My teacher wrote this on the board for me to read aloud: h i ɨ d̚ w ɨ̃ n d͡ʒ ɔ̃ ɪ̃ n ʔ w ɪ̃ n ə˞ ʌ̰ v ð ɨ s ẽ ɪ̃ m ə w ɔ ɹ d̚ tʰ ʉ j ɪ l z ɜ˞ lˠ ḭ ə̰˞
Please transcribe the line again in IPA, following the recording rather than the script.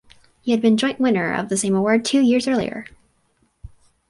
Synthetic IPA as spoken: h i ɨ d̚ b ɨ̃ n d͡ʒ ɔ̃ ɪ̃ n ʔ w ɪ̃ n ə˞ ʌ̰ v ð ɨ s ẽ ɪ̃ m ə w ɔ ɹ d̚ tʰ ʉ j ɪ ɹ z ɜ˞ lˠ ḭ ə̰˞